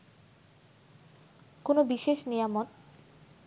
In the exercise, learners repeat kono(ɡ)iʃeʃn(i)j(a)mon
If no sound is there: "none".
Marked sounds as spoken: b, i, a

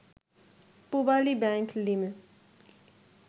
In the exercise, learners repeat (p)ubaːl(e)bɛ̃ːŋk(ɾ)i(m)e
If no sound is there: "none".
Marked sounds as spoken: p, i, l, m

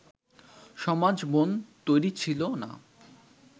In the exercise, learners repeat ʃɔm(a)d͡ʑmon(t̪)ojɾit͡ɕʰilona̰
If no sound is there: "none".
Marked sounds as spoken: a, t̪

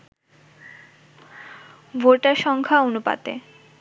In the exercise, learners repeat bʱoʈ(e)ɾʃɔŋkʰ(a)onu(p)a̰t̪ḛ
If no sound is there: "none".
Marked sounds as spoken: a, a, p

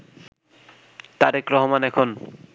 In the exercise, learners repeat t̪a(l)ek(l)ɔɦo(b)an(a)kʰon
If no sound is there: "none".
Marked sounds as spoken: ɾ, ɾ, m, ɛ

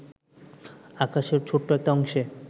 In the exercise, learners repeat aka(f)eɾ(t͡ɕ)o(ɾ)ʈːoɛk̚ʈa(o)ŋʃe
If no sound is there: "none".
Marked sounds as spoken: ʃ, t͡ɕʰ, none, ɔ

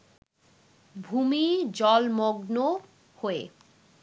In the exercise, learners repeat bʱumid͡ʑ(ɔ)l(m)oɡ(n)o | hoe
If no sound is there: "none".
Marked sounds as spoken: ɔ, m, n

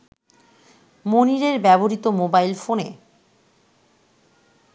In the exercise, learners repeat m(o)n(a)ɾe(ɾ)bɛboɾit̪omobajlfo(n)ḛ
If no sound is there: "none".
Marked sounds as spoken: o, i, ɾ, n

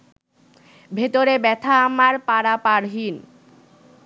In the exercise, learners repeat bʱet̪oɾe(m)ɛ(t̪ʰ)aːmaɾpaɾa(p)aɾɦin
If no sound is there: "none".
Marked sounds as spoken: b, t̪ʰ, p

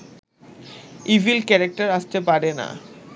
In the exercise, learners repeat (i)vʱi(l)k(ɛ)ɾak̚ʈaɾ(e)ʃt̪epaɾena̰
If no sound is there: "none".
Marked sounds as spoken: i, l, ɛ, a

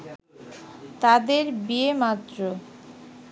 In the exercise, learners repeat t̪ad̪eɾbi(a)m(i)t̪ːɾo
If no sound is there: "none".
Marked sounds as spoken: e, a

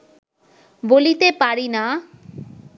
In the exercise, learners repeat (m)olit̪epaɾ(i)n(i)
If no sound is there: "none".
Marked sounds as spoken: b, i, a

